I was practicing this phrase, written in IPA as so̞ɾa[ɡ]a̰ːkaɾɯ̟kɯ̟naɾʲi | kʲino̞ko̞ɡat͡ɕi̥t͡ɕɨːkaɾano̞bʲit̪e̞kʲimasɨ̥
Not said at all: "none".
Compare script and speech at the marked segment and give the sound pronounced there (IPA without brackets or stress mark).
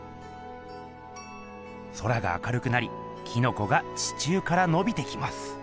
ɡ